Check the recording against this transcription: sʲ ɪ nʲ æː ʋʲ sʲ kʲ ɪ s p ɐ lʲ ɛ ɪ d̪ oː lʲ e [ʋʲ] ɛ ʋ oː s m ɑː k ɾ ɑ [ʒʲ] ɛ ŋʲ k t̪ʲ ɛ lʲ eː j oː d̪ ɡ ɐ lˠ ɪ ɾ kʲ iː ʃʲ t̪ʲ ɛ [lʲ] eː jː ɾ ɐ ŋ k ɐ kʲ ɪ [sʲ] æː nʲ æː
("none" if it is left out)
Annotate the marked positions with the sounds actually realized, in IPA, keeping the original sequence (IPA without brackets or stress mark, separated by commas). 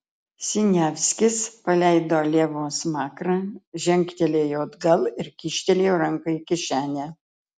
none, ʒʲ, lʲ, ʃʲ